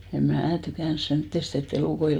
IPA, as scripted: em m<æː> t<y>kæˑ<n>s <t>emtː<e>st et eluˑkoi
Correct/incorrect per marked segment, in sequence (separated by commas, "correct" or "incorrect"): correct, correct, correct, incorrect, correct